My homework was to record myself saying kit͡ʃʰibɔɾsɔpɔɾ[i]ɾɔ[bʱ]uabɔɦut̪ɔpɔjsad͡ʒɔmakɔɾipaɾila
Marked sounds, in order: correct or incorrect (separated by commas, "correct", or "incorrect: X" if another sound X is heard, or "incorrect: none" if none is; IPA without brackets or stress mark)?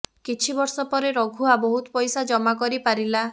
incorrect: e, incorrect: ɡʱ